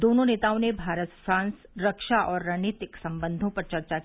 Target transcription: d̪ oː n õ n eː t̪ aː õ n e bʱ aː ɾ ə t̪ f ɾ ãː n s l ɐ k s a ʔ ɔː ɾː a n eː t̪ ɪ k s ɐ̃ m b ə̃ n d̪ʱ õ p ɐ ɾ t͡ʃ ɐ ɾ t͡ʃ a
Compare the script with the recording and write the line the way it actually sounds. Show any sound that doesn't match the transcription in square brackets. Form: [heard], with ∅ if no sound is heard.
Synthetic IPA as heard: d̪ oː n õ n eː t̪ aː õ n e bʱ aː ɾ ə t̪ f ɾ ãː n s [ɾ] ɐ k [ʃ] a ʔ ɔː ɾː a n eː t̪ ɪ k s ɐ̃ m b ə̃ n d̪ʱ õ p ɐ ɾ t͡ʃ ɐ ɾ t͡ʃ a